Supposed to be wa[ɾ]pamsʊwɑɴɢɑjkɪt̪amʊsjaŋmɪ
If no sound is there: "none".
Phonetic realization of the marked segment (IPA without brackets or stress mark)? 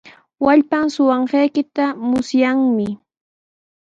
ʎ